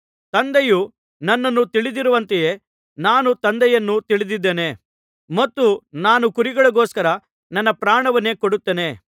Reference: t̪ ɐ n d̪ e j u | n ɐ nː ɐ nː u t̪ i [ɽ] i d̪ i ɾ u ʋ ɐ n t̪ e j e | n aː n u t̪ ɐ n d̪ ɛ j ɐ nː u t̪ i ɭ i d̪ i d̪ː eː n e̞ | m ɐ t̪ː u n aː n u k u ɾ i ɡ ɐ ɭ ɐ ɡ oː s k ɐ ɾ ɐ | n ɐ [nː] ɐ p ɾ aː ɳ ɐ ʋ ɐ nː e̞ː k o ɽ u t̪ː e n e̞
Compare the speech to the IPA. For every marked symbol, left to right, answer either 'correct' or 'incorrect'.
incorrect: ɭ, correct

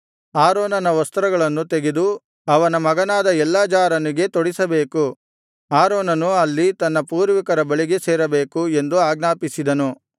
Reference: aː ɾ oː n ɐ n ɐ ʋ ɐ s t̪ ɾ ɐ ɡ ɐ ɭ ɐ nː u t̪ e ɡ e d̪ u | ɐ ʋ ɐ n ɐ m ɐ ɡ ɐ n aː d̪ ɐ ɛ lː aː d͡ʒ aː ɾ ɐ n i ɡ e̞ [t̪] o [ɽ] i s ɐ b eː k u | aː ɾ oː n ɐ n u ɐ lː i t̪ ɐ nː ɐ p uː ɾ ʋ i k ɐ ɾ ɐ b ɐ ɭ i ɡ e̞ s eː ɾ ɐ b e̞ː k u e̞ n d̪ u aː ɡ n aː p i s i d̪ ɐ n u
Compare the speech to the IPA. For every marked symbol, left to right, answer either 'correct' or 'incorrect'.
correct, correct

